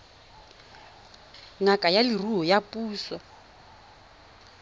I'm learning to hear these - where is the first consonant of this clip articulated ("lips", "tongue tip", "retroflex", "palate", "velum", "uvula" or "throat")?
velum